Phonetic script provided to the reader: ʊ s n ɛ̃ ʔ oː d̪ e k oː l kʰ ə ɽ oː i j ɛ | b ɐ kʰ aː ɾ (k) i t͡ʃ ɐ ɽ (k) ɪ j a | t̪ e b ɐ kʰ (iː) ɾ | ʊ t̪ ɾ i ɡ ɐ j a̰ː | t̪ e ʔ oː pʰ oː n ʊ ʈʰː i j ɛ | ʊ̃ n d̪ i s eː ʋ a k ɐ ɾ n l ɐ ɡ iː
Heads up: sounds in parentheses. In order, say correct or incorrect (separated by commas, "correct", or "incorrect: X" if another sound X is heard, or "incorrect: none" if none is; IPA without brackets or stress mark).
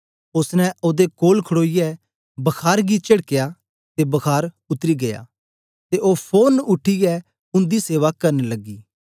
incorrect: ɡ, correct, incorrect: aː